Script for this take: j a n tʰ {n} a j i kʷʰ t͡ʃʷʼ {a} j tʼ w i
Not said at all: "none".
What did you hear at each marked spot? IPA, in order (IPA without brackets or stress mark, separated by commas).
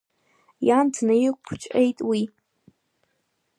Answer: n, e